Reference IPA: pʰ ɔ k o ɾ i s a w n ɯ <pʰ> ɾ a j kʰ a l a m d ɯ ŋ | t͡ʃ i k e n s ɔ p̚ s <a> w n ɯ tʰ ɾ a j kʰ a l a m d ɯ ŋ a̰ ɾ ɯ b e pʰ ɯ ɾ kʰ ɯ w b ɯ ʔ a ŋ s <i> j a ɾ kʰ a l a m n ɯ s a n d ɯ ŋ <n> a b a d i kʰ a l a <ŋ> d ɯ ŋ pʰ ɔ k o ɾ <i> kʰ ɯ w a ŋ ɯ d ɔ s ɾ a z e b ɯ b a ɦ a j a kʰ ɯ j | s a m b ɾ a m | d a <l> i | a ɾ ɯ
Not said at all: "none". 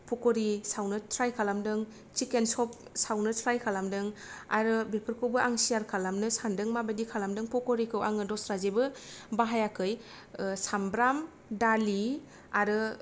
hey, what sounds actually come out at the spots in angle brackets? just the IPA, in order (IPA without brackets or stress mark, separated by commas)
tʰ, a, i, m, m, i, l